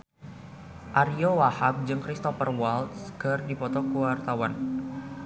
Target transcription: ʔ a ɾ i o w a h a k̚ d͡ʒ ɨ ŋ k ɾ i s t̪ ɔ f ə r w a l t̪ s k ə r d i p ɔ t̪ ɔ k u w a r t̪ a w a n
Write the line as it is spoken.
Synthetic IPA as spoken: ʔ a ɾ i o w a h a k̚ d͡ʒ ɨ ŋ k ɾ i s t̪ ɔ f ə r w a l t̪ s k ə r d i p ɔ t̪ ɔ k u w a r t̪ a w a n